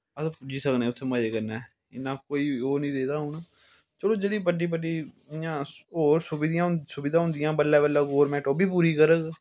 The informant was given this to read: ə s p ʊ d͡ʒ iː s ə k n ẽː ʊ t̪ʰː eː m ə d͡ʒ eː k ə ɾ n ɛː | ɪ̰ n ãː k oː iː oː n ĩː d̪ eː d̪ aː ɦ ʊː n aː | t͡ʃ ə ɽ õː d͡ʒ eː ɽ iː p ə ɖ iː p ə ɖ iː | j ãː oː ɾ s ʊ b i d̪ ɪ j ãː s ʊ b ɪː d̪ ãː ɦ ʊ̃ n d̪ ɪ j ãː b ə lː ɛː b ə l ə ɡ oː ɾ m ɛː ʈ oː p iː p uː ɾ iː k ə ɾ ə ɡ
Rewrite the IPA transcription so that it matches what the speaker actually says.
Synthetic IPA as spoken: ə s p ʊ d͡ʒ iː s ə k n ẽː ʊ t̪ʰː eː m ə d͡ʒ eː k ə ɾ n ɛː | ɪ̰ n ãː k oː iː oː n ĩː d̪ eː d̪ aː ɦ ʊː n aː | t͡ʃ ə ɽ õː d͡ʒ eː ɽ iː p ə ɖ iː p ə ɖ iː | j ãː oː ɾ s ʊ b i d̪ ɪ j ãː s ʊ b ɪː d̪ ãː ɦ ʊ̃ n d̪ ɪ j ãː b ə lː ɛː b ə l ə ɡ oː ɾ m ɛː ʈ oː b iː p uː ɾ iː k ə ɾ ə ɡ

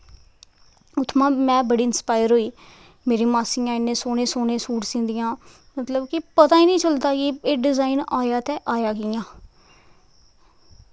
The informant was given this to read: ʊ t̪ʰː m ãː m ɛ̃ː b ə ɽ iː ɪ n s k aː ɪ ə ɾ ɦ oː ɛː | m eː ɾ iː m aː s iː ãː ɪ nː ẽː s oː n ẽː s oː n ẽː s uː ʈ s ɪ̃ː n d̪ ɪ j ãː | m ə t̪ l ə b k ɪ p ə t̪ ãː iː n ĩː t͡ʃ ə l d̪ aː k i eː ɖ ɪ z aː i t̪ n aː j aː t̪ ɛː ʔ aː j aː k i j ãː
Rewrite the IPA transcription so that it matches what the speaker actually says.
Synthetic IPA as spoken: ʊ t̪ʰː m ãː m ɛ̃ː b ə ɽ iː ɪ n s p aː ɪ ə ɾ ɦ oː iː | m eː ɾ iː m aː s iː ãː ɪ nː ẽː s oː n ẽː s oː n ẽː s uː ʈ s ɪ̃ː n d̪ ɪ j ãː | m ə t̪ l ə b k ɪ p ə t̪ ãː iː n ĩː t͡ʃ ə l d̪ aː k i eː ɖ ɪ z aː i n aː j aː t̪ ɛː ʔ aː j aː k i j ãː

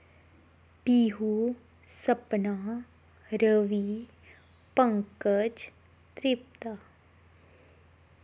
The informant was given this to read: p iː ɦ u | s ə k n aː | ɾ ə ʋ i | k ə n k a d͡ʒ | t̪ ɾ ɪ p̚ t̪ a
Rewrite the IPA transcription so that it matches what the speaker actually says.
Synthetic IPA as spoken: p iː ɦ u | s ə p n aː | ɾ ə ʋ i | p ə ŋ k ə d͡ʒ | t̪ ɾ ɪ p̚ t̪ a

